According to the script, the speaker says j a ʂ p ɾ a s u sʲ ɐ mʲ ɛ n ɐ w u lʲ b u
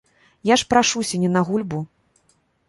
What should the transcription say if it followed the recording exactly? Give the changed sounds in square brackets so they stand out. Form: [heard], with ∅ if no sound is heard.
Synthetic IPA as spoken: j a ʂ p ɾ a [ʂ] u sʲ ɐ [nʲ] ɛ n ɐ [ɣ] u lʲ b u